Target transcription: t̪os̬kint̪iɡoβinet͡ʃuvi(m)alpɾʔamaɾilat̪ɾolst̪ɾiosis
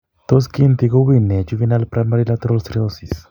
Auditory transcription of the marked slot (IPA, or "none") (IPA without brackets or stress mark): n